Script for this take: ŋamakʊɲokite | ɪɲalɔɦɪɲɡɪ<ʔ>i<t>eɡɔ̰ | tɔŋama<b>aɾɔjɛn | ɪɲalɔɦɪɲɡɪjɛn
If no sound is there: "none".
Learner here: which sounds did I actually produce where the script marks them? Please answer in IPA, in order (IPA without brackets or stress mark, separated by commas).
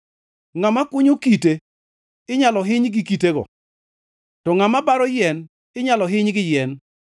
k, t, b